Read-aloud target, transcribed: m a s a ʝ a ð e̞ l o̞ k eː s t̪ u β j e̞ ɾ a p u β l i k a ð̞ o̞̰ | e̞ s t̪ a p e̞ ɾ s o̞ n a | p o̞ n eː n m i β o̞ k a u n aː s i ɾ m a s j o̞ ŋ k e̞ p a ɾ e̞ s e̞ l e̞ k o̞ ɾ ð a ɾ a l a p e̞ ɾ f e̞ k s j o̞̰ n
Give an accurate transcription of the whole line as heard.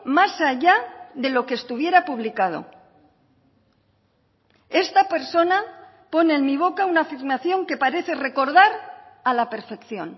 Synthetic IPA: m a s a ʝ a ð e̞ l o̞ k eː s t̪ u β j e̞ ɾ a p u β l i k a ð̞ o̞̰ | e̞ s t̪ a p e̞ ɾ s o̞ n a | p o̞ n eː n m i β o̞ k a u n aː f i ɾ m a θ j o̞ ŋ k e̞ p a ɾ e̞ θ e̞ r e̞ k o̞ ɾ ð a ɾ a l a p e̞ ɾ f e̞ k θ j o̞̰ n